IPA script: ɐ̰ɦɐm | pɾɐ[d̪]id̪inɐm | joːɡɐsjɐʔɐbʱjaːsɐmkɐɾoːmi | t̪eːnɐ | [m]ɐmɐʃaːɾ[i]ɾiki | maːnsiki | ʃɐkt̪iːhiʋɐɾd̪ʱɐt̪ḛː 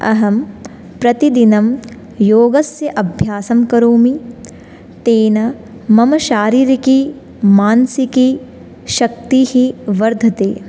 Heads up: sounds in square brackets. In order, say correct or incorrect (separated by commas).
incorrect, correct, incorrect